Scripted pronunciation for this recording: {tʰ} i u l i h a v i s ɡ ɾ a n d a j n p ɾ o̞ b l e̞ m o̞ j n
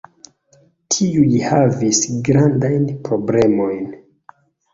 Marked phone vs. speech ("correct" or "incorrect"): correct